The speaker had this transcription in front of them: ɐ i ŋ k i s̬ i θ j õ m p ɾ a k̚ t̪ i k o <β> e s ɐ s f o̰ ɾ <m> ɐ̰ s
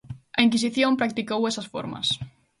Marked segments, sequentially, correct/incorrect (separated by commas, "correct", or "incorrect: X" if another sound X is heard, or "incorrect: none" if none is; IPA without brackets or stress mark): incorrect: w, correct